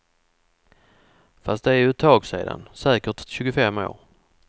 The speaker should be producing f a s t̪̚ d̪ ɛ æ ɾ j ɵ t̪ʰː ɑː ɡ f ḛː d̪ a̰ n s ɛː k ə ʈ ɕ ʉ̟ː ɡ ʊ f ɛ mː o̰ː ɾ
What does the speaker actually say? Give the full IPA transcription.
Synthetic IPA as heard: f a s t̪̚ d̪ ɛ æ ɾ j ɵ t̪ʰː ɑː ɡ s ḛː d̪ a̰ n s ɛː k ə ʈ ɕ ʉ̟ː ɡ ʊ f ɛ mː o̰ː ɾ